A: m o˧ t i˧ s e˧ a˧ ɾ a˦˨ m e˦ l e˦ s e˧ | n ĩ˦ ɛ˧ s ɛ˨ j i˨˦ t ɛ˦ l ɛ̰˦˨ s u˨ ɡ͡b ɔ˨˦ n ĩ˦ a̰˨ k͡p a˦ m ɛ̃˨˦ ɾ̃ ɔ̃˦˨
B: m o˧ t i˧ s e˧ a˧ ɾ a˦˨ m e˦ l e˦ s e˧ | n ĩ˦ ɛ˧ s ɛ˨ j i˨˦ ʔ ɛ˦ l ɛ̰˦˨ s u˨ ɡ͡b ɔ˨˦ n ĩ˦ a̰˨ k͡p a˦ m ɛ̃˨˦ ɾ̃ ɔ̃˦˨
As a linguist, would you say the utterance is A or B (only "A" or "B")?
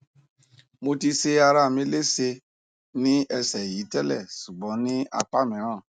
A